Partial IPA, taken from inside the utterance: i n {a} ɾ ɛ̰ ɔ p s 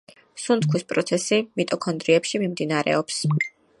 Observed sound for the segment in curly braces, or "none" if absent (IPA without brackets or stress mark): a